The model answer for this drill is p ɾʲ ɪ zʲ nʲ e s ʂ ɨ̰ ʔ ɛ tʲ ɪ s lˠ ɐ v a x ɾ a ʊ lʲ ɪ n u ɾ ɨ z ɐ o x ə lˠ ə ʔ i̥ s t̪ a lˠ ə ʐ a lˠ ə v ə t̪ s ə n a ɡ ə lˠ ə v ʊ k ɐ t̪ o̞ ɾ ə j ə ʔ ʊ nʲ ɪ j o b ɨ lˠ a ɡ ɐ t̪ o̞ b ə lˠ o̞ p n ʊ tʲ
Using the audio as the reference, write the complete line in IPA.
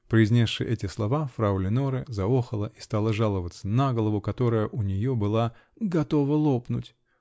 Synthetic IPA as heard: p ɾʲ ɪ zʲ nʲ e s ʂ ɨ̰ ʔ ɛ tʲ ɪ s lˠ ɐ v a f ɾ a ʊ lʲ ɪ n o ɾ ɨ z ɐ o x ə lˠ ə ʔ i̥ s t̪ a lˠ ə ʐ a lˠ ə v ə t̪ s ə n a ɡ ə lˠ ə v ʊ k ɐ t̪ o̞ ɾ ə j ə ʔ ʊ nʲ ɪ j o b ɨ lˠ a ɡ ɐ t̪ o̞ v ə lˠ o̞ p n ʊ tʲ